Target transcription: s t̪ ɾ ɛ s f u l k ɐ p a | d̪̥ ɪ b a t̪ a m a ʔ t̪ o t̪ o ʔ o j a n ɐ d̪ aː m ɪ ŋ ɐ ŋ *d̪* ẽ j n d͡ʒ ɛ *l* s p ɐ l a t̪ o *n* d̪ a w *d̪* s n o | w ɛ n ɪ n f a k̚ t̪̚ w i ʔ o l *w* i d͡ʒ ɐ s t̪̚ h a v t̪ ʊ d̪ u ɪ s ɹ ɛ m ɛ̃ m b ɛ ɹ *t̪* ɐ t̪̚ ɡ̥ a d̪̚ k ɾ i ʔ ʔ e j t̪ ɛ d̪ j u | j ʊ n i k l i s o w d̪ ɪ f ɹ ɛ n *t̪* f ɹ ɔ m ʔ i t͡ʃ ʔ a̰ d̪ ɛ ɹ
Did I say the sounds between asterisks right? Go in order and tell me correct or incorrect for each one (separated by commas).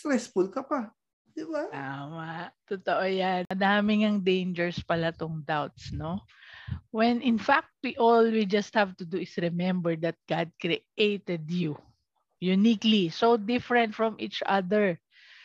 correct, incorrect, incorrect, incorrect, correct, incorrect, correct